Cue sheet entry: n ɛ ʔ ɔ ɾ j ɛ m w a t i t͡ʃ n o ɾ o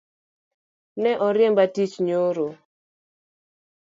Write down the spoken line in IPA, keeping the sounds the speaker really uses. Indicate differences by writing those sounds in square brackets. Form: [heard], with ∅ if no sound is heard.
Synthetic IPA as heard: n ɛ ʔ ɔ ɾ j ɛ m [b] a t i t͡ʃ [ɲ] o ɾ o